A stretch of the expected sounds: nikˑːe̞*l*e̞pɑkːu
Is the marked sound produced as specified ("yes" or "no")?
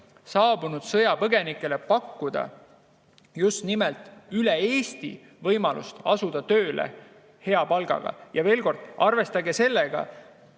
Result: yes